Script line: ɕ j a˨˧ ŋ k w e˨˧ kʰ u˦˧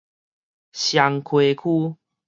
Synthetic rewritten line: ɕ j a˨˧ ŋ kʰ w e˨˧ kʰ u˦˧